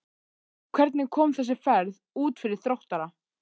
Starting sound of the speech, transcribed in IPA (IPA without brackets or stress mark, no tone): kʰ